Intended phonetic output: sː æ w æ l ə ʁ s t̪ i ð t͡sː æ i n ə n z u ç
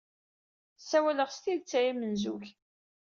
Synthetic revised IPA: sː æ w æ l ə ʁ s t̪ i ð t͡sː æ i m ə n z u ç